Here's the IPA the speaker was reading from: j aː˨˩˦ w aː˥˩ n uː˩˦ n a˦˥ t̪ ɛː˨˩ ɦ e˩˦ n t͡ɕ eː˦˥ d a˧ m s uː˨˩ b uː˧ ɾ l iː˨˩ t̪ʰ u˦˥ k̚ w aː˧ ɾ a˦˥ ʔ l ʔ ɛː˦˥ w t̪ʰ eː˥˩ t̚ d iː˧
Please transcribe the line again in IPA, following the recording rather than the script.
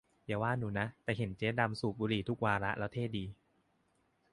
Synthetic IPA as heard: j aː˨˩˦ w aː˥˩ n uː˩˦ n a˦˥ t̪ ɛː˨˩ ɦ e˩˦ n t͡ɕ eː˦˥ d a˧ m s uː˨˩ b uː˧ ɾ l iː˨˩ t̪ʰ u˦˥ k̚ w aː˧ ɾ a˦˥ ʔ l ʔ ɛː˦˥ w t̪ʰ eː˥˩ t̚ d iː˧